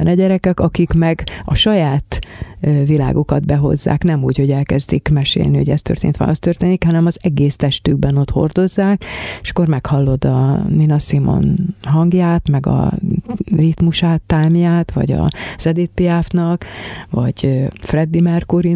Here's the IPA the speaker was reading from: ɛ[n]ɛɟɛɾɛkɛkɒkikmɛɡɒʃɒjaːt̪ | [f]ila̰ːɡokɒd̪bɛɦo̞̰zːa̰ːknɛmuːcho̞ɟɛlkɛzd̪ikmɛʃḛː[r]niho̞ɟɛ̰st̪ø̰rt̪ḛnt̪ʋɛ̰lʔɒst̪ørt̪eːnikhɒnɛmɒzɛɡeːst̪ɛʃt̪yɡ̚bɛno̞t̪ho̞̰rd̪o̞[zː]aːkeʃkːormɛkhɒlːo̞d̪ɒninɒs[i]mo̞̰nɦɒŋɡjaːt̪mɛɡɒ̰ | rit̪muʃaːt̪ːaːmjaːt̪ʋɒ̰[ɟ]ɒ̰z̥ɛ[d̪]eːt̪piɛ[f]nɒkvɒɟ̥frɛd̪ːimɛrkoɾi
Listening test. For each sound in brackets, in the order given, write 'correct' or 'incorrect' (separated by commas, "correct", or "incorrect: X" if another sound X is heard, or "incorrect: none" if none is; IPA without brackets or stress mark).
correct, incorrect: v, incorrect: l, correct, correct, correct, correct, correct